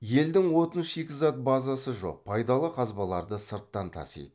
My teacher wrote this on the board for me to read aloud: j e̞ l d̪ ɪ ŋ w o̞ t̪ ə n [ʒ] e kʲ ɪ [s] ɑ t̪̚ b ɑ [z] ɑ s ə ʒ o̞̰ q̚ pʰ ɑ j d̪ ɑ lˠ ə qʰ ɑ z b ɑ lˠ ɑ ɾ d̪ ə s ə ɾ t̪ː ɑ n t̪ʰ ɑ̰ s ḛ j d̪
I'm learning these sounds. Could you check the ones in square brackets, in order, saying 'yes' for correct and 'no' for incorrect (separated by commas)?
no, no, yes